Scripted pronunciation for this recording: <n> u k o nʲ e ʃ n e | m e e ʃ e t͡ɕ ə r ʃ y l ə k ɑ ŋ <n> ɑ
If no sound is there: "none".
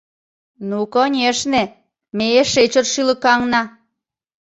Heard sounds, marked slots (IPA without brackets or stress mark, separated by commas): n, n